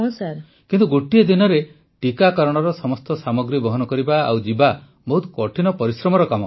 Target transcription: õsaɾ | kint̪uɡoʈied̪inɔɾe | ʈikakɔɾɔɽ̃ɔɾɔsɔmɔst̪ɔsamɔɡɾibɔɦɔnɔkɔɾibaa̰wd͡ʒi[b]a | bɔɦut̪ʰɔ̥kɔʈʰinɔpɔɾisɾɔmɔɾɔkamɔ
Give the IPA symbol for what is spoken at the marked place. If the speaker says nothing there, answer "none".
b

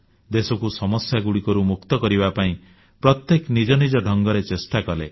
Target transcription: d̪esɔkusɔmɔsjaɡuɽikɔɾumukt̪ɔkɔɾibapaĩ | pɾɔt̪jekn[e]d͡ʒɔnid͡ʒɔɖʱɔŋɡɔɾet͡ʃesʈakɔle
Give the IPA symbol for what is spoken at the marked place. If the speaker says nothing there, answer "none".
i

